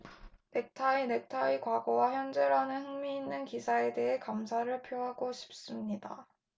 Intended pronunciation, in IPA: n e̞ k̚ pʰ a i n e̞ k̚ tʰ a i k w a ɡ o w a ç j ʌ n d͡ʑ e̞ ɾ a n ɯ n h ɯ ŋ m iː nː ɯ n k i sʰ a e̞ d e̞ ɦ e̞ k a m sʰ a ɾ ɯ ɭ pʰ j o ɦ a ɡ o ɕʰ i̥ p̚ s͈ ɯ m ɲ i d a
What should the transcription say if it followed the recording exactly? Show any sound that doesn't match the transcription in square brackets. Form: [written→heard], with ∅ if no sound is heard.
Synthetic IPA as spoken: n e̞ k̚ [pʰ→tʰ] a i n e̞ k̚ tʰ a i k w a ɡ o w a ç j ʌ n d͡ʑ e̞ ɾ a n ɯ n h ɯ ŋ m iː nː ɯ n k i sʰ a e̞ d e̞ ɦ e̞ k a m sʰ a ɾ ɯ ɭ pʰ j o ɦ a ɡ o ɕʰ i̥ p̚ s͈ ɯ m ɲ i d a